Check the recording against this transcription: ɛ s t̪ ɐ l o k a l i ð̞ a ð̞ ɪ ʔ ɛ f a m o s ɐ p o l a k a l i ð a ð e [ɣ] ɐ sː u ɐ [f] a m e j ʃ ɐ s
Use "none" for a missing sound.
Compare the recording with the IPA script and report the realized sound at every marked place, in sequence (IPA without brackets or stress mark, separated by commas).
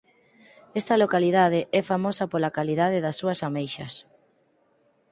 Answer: ð, s